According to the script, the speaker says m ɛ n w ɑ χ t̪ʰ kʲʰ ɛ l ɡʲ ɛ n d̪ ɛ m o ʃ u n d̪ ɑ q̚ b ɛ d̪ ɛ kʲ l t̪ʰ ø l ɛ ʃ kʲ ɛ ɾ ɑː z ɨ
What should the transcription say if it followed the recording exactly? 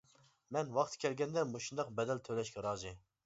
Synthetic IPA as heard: m ɛ n w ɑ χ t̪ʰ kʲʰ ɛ l ɡʲ ɛ n d̪ ɛ m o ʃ u n d̪ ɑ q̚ b ɛ d̪ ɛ l t̪ʰ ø l ɛ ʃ kʲ ɛ ɾ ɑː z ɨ